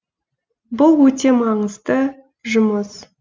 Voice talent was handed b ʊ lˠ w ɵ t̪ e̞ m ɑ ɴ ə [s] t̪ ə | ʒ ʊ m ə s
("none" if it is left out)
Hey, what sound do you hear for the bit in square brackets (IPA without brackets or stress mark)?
z